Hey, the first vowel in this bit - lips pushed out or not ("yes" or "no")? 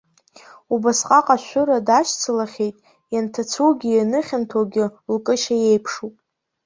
yes